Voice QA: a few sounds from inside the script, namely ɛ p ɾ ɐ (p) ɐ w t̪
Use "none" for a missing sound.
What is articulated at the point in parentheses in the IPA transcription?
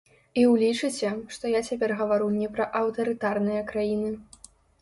ʔ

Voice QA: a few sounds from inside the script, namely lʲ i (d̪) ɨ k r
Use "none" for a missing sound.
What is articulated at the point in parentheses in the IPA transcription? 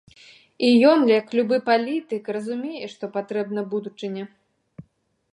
t̪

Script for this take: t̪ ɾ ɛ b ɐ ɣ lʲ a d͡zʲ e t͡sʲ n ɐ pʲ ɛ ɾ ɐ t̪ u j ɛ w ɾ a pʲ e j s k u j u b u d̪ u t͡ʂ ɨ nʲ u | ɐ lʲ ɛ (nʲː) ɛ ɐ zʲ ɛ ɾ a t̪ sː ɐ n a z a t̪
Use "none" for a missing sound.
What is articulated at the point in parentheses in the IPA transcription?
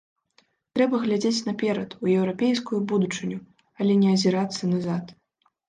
nʲ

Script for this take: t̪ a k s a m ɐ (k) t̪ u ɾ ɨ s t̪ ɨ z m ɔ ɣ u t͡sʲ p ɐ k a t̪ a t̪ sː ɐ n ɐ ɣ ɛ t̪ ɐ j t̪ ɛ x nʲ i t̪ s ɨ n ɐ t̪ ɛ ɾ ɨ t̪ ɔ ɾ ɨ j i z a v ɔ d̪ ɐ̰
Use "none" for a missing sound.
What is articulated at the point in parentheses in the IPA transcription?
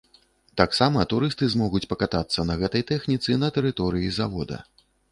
none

